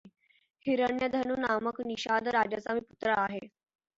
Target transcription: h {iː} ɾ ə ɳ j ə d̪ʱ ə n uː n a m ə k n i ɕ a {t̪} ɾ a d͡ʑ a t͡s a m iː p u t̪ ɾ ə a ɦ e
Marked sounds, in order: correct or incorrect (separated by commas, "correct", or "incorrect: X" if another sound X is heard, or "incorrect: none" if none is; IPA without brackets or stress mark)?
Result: incorrect: i, incorrect: d̪